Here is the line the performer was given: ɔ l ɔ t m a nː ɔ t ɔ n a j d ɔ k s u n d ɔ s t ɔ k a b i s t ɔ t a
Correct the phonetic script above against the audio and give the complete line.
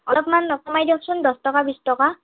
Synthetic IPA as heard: ɔ l ɔ p m a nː ɔ k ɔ m a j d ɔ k s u n d ɔ s t ɔ k a b i s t ɔ k a